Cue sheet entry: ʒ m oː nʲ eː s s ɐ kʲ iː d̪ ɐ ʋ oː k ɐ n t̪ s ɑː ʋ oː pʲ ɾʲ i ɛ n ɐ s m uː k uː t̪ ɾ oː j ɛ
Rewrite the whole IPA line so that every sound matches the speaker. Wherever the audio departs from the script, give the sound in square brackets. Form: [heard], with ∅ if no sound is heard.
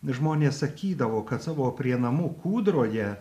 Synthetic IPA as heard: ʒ m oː nʲ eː s s ɐ kʲ iː d̪ ɐ ʋ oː k ɐ [∅] t̪ s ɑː ʋ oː pʲ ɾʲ i ɛ n ɐ [∅] m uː k uː [d̪] ɾ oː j ɛ